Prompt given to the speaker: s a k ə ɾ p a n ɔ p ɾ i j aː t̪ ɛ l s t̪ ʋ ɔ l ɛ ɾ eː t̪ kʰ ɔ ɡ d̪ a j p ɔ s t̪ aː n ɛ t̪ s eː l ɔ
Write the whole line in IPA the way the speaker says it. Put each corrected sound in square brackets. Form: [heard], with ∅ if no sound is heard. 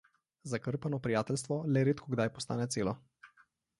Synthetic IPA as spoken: [z] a k ə ɾ p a n ɔ p ɾ i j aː t̪ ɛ l s t̪ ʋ ɔ l ɛ ɾ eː t̪ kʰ ɔ ɡ d̪ a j p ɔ s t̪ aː n ɛ t̪ s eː l ɔ